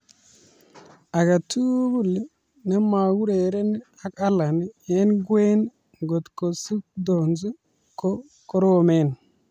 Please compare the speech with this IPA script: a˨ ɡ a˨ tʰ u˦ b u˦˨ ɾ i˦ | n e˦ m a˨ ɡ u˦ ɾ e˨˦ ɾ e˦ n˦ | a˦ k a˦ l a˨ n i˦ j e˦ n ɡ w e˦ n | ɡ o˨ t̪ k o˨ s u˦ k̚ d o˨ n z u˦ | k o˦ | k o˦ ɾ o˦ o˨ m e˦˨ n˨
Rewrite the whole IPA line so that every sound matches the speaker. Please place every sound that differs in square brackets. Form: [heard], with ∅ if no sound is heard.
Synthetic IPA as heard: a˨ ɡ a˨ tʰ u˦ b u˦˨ [l] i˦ | n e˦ m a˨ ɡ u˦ ɾ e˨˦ ɾ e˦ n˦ | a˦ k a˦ l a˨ n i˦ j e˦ n ɡ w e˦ n | ɡ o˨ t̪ k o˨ s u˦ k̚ d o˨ n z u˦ | k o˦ | k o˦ ɾ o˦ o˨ m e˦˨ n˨

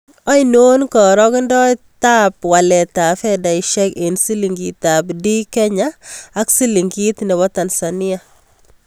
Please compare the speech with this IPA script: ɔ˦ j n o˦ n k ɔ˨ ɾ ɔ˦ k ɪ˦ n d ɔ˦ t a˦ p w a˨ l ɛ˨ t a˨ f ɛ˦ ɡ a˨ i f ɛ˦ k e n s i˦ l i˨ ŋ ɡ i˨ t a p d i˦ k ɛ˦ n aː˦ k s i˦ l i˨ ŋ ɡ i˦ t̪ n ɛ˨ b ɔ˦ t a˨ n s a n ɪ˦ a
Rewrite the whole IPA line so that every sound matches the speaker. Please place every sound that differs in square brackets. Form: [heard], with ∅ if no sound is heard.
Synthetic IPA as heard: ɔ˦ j n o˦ n k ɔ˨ ɾ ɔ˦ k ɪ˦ n d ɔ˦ t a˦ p w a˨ l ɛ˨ t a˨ f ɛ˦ [d] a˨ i [ʃ] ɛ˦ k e n s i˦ l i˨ ŋ ɡ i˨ t a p d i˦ k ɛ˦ [ɲ] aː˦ k s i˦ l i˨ ŋ ɡ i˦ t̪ n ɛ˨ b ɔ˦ t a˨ n s a n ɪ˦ a

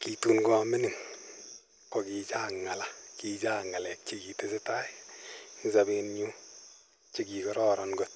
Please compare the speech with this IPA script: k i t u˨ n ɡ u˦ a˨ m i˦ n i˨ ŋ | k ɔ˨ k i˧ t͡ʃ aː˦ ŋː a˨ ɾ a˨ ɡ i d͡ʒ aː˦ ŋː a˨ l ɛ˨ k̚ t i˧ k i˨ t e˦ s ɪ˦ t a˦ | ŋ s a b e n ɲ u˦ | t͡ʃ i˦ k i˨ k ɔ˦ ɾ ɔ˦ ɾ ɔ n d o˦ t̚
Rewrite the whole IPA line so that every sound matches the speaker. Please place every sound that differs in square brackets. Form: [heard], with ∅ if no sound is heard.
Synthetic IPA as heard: k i t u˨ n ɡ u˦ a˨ m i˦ n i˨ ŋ | k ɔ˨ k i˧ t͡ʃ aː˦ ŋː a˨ [l] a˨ [k] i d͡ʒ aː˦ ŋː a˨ l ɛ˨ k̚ [t͡ʃ] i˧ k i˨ t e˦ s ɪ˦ t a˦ | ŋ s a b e n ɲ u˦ | t͡ʃ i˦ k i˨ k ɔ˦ ɾ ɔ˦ ɾ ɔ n [ɡ] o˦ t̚

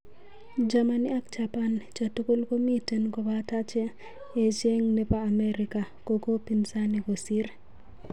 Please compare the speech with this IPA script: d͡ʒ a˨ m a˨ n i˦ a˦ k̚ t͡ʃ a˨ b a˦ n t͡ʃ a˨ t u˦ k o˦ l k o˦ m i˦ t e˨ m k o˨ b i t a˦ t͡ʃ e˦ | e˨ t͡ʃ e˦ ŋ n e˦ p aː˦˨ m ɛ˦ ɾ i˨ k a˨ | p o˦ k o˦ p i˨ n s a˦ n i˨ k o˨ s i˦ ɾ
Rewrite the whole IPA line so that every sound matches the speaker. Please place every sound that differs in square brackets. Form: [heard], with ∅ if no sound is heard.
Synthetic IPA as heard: d͡ʒ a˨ m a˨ n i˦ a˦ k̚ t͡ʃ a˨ [p] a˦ n t͡ʃ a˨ t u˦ k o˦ l k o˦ m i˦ t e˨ [n] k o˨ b [a] t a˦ t͡ʃ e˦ | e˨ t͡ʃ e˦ ŋ n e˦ p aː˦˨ m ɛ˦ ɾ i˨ k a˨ | [k] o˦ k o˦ p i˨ n s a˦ n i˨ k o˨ s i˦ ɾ

